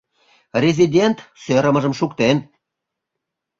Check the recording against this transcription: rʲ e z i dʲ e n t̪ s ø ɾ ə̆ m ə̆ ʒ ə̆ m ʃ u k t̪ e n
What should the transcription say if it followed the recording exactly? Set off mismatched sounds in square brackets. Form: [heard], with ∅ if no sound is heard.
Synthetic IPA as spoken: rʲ e z i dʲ e n t̪ s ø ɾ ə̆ m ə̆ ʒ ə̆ m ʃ u k t̪ e n